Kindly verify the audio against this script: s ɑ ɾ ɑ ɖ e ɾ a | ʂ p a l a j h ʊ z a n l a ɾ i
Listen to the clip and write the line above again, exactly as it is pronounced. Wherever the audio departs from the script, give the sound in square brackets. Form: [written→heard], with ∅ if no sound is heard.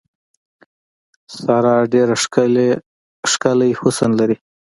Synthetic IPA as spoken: s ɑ ɾ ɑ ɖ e ɾ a | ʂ [p→k] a l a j h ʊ [z→s] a n l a ɾ i